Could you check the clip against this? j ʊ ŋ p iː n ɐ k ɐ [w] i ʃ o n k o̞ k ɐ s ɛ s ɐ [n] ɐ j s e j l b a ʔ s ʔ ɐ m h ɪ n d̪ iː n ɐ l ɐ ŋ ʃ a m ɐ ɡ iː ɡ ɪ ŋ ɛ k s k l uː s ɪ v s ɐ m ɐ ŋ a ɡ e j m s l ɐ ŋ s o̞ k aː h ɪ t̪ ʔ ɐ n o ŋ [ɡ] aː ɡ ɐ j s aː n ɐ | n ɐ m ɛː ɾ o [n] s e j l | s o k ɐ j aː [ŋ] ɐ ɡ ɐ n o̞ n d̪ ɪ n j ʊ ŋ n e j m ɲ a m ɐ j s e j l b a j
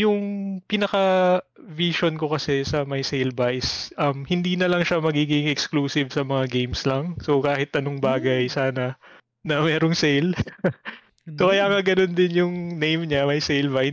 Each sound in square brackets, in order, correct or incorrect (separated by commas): incorrect, incorrect, incorrect, incorrect, correct